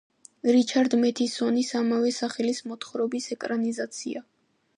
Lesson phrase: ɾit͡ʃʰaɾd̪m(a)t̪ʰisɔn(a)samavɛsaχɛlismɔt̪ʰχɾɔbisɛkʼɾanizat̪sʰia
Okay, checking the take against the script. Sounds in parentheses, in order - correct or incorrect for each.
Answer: incorrect, incorrect

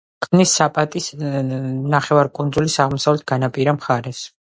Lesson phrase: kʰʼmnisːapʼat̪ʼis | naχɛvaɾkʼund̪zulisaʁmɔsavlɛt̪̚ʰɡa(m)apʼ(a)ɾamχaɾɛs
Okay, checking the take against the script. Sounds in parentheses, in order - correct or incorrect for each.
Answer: incorrect, incorrect

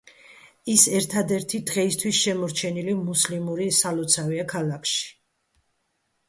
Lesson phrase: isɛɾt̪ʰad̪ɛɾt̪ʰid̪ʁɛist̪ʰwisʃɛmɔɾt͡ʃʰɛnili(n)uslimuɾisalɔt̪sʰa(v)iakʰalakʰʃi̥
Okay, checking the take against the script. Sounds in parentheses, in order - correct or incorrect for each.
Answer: incorrect, correct

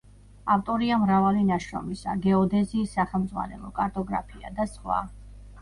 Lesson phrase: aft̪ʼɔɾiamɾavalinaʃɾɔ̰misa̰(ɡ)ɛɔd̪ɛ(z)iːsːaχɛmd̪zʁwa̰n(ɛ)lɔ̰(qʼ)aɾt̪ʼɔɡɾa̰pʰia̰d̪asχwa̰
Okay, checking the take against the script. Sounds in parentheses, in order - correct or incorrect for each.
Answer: correct, correct, correct, incorrect

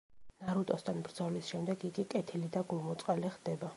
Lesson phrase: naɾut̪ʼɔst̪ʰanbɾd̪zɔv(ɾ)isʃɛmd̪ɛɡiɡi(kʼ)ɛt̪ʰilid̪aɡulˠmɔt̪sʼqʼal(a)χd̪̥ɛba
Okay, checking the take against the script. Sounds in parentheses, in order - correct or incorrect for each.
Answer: incorrect, correct, incorrect

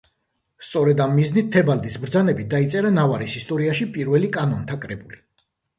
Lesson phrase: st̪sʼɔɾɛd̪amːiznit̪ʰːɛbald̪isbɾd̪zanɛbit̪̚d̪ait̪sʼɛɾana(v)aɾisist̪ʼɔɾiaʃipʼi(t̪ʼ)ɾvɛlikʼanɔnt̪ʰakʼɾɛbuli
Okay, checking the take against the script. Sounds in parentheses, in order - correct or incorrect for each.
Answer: correct, incorrect

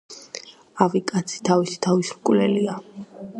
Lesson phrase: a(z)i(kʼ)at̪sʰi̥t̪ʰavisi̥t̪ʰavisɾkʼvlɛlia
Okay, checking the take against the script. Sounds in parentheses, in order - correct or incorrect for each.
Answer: incorrect, correct

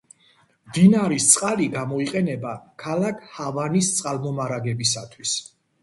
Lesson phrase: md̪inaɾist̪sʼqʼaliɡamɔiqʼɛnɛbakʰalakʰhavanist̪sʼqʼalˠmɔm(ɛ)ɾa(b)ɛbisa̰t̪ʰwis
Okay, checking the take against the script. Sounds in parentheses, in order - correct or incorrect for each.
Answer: incorrect, incorrect

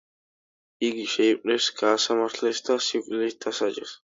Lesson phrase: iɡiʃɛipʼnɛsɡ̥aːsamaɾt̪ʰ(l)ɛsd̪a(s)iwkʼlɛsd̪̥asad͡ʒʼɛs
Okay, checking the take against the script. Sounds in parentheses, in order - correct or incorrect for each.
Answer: correct, correct

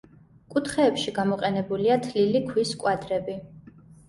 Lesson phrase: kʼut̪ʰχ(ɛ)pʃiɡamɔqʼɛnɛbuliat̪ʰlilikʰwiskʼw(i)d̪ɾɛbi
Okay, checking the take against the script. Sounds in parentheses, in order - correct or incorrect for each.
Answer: incorrect, incorrect

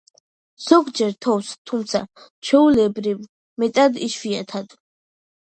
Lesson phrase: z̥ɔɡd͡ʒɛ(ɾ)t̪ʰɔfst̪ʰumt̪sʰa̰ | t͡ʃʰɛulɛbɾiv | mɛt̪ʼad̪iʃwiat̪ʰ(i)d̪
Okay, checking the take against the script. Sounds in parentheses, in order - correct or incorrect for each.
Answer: correct, incorrect

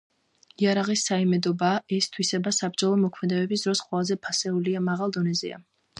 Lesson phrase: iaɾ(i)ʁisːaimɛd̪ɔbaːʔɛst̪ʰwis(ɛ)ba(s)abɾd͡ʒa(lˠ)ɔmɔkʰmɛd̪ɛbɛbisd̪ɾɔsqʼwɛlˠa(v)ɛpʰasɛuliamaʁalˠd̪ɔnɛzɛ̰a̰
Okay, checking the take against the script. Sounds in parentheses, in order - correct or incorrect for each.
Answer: incorrect, correct, correct, correct, incorrect

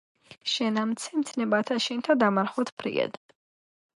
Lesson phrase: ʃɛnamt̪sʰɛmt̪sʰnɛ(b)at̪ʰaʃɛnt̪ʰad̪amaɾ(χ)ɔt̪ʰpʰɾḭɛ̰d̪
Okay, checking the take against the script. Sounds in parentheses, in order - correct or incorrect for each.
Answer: correct, correct

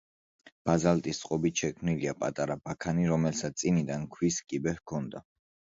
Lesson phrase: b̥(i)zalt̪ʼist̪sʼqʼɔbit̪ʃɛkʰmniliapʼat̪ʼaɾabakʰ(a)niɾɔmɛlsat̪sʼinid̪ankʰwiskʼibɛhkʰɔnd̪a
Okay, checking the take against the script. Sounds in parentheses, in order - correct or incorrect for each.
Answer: incorrect, correct

